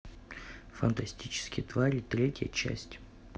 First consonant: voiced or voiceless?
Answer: voiceless